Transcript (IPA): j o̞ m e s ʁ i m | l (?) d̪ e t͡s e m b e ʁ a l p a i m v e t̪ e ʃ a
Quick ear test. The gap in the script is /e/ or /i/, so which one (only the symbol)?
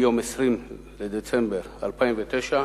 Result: e